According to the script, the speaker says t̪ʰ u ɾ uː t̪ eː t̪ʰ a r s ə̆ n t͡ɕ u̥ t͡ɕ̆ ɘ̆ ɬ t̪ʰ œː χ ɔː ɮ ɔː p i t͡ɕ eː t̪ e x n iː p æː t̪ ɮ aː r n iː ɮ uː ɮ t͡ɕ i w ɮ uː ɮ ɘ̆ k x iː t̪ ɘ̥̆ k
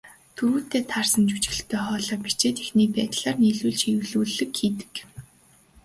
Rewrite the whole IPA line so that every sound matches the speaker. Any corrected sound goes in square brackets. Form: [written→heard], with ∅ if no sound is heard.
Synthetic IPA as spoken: t̪ʰ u ɾ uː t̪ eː t̪ʰ a r s ə̆ n t͡ɕ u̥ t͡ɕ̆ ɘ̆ ɬ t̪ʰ œː χ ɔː ɮ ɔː p i t͡ɕ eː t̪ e x n iː p æː t̪ ɮ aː r n iː ɮ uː ɮ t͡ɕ i w ɮ uː ɮ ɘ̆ k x iː t̪ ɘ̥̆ k